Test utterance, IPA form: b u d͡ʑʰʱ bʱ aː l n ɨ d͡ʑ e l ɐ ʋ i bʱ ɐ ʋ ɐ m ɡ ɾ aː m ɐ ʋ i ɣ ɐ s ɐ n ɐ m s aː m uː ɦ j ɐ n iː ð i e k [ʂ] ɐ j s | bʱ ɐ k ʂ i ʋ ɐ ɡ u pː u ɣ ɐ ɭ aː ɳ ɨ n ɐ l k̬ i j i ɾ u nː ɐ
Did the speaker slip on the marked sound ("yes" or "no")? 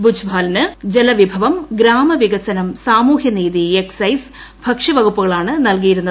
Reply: yes